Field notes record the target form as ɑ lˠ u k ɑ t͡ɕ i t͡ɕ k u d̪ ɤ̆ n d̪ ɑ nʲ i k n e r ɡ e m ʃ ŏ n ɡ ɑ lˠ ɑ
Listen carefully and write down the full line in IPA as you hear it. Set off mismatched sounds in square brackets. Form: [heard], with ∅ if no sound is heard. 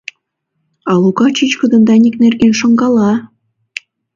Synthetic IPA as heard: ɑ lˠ u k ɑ t͡ɕ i t͡ɕ k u d̪ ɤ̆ n d̪ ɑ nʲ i k n e r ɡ e [n] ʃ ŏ [ŋ] ɡ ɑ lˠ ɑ